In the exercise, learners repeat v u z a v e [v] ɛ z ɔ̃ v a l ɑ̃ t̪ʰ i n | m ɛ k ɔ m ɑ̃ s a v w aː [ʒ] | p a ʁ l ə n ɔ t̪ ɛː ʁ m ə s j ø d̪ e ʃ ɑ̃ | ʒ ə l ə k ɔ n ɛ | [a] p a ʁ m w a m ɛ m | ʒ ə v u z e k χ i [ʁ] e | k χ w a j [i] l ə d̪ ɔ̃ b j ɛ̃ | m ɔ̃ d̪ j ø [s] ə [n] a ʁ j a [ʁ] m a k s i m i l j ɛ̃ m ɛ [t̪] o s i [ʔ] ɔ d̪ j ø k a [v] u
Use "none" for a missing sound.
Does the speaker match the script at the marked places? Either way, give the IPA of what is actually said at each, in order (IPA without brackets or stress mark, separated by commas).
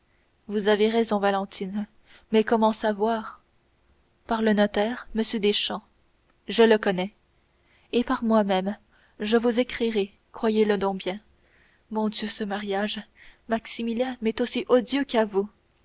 ʁ, ʁ, e, ʁ, e, s, m, ʒ, t̪, ʔ, v